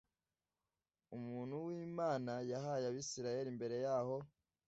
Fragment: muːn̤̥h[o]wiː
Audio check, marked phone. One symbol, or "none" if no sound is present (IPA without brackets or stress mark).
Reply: u